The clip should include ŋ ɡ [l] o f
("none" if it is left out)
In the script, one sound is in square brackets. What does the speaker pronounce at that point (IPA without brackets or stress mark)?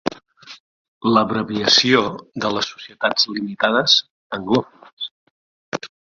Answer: l